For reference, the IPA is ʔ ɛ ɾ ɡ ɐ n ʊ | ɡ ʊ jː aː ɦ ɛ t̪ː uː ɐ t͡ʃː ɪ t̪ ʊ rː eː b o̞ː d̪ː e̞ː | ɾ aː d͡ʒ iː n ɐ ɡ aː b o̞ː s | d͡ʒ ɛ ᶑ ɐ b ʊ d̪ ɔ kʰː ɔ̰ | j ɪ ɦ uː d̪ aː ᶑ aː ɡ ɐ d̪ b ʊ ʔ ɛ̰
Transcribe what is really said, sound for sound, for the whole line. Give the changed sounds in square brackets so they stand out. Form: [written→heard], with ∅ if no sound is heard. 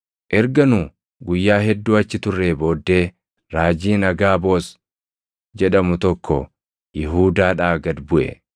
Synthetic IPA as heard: ʔ ɛ ɾ ɡ ɐ n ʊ | ɡ ʊ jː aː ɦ ɛ [t̪ː→d̪ː] uː ɐ t͡ʃː ɪ t̪ ʊ rː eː b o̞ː d̪ː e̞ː | ɾ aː d͡ʒ iː n ɐ ɡ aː b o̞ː s | d͡ʒ ɛ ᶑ ɐ [b→m] ʊ [d̪→t̪] ɔ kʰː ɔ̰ | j ɪ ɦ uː d̪ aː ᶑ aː ɡ ɐ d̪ b ʊ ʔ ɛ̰